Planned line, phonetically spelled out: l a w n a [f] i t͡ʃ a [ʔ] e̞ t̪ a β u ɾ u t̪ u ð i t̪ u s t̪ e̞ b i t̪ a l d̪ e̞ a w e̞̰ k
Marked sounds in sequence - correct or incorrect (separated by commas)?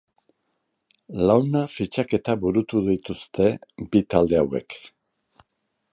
correct, incorrect